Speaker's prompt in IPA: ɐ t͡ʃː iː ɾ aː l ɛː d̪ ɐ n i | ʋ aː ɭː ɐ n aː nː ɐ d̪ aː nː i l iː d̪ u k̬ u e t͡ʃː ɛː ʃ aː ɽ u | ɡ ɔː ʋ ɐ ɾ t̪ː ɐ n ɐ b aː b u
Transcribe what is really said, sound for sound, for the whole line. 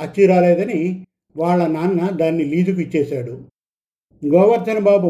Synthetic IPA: ɐ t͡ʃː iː ɾ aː l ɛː d̪ ɐ n i | ʋ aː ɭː ɐ n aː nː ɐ d̪ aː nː i l iː d̪ u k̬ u i t͡ʃː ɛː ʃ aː ɽ u | ɡ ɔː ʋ ɐ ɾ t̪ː ɐ n ɐ b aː b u